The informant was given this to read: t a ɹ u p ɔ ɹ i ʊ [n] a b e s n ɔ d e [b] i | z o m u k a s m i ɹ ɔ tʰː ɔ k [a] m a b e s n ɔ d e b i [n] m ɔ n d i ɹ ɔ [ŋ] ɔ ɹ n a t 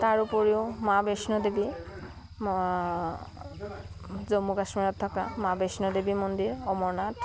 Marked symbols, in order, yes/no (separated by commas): no, yes, yes, no, no